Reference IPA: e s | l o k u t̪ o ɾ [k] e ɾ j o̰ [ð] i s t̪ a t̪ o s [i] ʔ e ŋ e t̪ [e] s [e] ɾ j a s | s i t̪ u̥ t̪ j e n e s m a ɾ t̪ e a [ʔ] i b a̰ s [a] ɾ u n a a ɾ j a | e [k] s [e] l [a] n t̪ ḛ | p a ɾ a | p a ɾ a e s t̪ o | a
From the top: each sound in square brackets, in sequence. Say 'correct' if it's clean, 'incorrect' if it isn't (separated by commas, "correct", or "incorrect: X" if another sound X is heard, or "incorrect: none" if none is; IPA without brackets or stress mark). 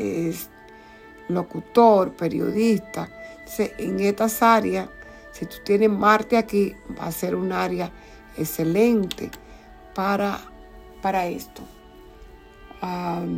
incorrect: p, correct, incorrect: e, incorrect: a, incorrect: a, incorrect: k, incorrect: e, correct, correct, incorrect: e